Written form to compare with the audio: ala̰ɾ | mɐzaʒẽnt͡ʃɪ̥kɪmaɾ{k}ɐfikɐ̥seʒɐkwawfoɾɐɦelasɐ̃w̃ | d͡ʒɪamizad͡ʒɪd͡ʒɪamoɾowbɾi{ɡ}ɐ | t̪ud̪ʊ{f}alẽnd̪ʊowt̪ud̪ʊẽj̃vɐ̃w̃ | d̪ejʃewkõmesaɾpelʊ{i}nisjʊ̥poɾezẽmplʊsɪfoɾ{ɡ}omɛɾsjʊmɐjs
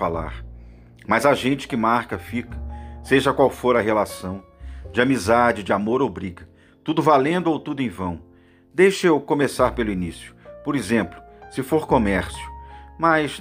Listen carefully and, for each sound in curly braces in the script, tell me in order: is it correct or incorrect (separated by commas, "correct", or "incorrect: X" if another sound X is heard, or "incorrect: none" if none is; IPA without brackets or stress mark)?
correct, correct, incorrect: v, correct, incorrect: k